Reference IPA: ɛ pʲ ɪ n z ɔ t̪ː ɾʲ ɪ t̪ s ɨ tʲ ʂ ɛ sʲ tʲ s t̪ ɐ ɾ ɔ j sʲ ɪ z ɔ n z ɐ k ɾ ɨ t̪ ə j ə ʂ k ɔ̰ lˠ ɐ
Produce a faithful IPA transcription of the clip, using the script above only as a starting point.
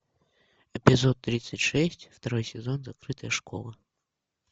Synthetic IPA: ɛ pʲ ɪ z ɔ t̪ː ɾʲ i t̪ s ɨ tʲ ʂ ɛ sʲ tʲ f t̪ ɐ ɾ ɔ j sʲ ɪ z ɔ n z ɐ k ɾ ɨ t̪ ə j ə ʂ k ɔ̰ lˠ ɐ